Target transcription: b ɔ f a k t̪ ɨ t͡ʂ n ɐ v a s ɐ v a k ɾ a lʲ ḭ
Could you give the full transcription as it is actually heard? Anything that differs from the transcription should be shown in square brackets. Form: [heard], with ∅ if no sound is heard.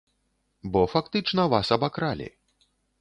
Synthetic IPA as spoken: b ɔ f a k t̪ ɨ t͡ʂ n ɐ v a s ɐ [b] a k ɾ a lʲ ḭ

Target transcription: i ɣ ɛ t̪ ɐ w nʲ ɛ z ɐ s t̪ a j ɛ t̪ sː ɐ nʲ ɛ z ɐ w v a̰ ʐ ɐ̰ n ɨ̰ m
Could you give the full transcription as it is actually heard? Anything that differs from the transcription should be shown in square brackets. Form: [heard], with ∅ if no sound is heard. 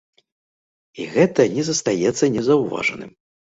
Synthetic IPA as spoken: i ɣ ɛ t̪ ɐ [∅] nʲ ɛ z ɐ s t̪ a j ɛ t̪ sː ɐ nʲ ɛ z ɐ w v a̰ ʐ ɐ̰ n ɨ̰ m

